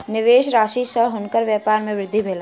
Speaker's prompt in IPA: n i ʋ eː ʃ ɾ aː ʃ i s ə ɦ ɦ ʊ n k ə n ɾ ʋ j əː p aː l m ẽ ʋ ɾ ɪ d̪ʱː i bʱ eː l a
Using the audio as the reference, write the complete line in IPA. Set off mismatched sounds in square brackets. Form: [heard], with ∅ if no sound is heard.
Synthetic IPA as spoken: n [ɪ] ʋ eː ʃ ɾ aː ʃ i s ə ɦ ɦ ʊ n k ə [∅] ɾ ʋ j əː p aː [ɾ] m ẽ ʋ ɾ ɪ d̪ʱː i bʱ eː l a